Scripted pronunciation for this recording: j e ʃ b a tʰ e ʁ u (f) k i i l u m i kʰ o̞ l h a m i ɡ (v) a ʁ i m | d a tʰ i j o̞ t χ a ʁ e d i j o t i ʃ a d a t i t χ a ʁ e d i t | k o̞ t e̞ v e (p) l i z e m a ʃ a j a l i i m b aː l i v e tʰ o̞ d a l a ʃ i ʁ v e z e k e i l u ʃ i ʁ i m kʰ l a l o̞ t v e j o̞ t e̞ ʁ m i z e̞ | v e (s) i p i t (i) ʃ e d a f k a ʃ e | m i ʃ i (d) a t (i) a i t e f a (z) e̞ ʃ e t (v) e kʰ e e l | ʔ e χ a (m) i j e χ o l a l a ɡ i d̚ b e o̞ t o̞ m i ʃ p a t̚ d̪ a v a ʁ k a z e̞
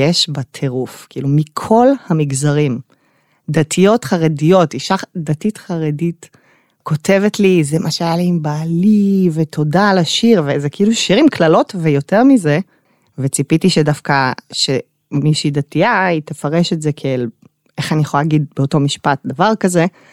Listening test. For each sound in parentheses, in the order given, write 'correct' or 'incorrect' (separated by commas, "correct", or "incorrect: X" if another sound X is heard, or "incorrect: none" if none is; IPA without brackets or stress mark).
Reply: correct, incorrect: z, incorrect: t, incorrect: t͡s, correct, correct, correct, incorrect: ʁ, incorrect: z, incorrect: n